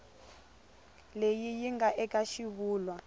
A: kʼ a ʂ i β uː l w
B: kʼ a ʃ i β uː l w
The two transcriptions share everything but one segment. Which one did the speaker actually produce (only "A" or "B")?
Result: B